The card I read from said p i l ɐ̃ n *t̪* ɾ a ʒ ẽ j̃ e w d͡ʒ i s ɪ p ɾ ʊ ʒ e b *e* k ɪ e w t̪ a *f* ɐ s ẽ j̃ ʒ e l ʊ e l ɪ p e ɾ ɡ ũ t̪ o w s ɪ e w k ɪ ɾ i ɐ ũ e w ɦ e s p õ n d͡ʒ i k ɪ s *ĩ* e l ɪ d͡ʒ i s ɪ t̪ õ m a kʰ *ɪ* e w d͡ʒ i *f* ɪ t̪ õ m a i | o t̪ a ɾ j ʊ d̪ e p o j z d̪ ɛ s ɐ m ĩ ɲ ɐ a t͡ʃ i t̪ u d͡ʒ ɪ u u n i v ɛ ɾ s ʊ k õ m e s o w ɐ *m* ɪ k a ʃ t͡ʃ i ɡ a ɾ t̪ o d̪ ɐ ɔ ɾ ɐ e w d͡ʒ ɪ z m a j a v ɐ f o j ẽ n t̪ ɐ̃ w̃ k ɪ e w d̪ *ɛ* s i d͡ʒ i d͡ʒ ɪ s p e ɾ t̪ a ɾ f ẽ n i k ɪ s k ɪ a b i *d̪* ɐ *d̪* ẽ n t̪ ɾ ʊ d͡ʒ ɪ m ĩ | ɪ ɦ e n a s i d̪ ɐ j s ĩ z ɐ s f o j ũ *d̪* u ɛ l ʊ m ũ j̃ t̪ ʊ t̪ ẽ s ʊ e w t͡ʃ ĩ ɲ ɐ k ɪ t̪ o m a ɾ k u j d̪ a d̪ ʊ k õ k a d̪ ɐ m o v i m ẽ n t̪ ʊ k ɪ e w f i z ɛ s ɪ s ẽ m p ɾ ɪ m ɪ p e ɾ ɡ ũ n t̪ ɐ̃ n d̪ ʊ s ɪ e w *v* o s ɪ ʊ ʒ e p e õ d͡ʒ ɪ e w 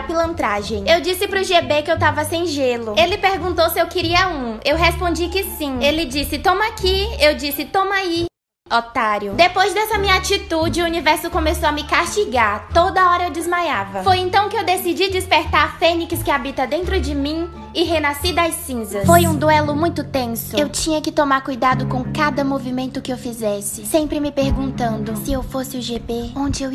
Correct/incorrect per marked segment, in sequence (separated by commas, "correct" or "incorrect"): correct, correct, incorrect, correct, incorrect, incorrect, correct, incorrect, incorrect, correct, correct, incorrect